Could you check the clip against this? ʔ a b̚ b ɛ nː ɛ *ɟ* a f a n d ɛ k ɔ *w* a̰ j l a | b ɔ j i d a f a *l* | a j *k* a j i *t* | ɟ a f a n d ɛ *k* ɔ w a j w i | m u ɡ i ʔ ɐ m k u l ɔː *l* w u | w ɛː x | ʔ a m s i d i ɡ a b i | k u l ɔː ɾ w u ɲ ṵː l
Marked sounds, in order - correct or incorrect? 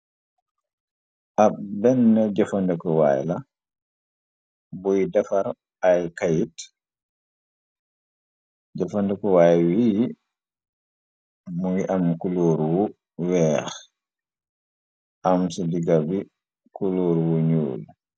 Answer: correct, correct, incorrect, correct, correct, correct, incorrect

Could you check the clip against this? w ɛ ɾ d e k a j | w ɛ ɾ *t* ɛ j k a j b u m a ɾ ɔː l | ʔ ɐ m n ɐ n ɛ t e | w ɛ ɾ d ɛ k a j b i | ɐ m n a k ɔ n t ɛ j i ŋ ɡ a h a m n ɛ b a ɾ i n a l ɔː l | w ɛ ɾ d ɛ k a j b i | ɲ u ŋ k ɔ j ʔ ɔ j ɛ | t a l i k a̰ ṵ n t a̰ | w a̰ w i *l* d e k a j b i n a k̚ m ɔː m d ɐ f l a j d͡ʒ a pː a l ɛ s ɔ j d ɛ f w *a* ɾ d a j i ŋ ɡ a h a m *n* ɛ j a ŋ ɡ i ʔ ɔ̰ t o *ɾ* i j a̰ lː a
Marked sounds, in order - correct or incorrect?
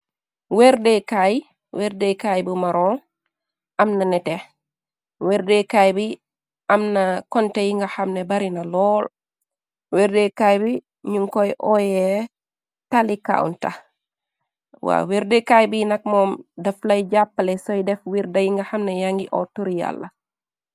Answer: incorrect, incorrect, incorrect, correct, correct

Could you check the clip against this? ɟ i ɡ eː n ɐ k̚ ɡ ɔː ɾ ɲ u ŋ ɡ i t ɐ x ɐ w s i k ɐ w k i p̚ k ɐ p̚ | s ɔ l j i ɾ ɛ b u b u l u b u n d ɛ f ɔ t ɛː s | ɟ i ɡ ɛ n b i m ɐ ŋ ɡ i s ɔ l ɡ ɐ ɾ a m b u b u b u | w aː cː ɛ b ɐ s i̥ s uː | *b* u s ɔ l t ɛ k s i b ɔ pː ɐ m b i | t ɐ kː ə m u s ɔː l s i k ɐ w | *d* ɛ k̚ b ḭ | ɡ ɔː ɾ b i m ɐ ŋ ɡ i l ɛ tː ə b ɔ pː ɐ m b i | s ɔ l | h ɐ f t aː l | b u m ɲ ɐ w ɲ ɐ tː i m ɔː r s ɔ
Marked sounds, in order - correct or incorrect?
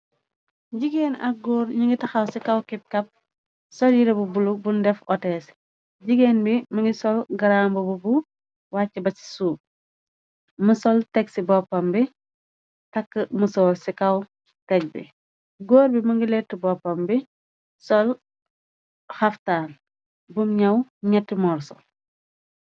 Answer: incorrect, incorrect

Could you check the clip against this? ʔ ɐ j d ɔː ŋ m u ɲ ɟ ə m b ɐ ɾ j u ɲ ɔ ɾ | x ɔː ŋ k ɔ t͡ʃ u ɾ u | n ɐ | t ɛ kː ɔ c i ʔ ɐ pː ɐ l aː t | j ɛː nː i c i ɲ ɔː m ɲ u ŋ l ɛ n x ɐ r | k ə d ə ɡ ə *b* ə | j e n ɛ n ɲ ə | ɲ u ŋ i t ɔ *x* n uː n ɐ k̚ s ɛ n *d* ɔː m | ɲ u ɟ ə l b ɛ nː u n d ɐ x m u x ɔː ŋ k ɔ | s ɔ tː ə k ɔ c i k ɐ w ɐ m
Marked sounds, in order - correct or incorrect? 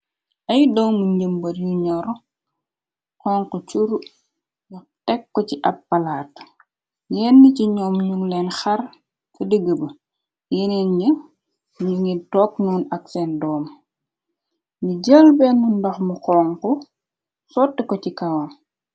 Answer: correct, incorrect, correct

